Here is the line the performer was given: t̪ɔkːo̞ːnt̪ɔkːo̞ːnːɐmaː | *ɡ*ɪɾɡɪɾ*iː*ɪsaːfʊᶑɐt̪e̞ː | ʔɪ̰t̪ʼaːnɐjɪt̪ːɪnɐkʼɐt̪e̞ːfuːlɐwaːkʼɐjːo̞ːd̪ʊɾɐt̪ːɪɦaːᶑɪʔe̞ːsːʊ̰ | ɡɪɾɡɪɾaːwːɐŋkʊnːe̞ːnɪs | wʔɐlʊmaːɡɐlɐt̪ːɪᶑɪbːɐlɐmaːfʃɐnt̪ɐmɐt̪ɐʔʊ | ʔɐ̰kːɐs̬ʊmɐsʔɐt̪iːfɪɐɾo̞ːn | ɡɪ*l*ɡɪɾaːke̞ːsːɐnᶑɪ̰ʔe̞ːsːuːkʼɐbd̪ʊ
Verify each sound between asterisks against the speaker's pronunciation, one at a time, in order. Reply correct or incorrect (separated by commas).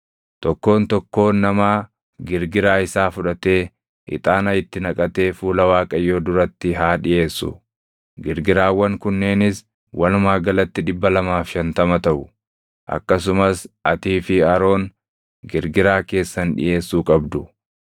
correct, incorrect, incorrect